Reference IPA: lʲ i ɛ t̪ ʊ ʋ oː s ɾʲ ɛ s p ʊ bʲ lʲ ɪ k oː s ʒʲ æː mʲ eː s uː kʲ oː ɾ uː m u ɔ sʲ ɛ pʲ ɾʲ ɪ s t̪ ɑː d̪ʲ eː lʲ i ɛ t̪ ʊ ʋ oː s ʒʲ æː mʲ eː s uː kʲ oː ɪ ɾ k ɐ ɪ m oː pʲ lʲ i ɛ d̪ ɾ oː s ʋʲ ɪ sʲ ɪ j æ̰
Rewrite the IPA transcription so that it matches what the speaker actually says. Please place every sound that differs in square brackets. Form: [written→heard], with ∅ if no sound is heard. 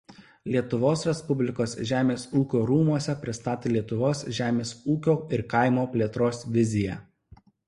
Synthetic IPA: lʲ i ɛ t̪ ʊ ʋ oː s ɾʲ ɛ s p ʊ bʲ lʲ ɪ k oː s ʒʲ æː mʲ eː s uː kʲ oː ɾ uː m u ɔ sʲ ɛ pʲ ɾʲ ɪ s t̪ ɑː [d̪ʲ→t̪ʲ] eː lʲ i ɛ t̪ ʊ ʋ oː s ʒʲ æː mʲ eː s uː kʲ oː ɪ ɾ k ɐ ɪ m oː pʲ lʲ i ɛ [d̪→t̪] ɾ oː s ʋʲ ɪ [sʲ→zʲ] ɪ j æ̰